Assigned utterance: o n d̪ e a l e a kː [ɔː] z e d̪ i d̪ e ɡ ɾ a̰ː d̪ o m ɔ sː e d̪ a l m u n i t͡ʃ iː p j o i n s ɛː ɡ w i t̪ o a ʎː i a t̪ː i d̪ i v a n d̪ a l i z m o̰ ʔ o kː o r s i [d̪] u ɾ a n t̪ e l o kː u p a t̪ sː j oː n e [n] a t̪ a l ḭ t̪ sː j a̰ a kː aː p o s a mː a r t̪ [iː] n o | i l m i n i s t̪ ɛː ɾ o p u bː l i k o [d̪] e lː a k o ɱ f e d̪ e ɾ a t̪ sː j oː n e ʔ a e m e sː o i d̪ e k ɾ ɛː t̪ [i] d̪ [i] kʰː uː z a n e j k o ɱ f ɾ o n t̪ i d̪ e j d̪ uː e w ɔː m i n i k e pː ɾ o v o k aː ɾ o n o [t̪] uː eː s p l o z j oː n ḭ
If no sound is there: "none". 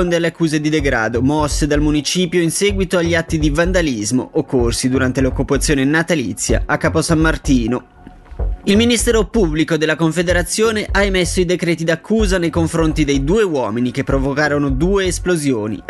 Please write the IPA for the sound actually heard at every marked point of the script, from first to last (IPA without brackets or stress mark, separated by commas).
uː, d̪, n, iː, d̪, i, a, d̪